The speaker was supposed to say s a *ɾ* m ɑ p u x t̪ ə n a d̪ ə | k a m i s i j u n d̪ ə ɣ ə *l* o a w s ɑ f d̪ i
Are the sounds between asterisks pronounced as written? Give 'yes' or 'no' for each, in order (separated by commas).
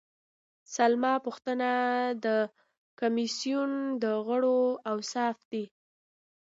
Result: no, no